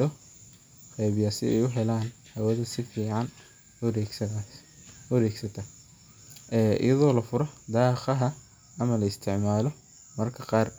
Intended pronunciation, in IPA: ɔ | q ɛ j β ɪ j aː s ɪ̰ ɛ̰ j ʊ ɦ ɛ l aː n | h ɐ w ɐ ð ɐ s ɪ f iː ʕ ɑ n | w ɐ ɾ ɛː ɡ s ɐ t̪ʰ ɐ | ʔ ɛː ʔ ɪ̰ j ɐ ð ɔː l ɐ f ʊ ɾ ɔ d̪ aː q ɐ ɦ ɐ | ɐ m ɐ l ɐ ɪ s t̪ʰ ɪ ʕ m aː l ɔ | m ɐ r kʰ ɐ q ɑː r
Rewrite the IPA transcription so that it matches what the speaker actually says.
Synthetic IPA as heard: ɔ | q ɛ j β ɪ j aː s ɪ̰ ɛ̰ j ʊ ɦ ɛ l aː n | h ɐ w ɐ ð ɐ s ɪ f iː ʕ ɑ n | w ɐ ɾ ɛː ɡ s ɐ t̪ʰ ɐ | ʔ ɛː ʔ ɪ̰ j ɐ ð ɔː l ɐ f ʊ ɾ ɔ d̪ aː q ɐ ɦ ɐ | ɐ m ɐ l ɐ ɪ s t̪ʰ ɪ ʕ m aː l ɔ | m ɐ r kʰ ɐ q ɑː r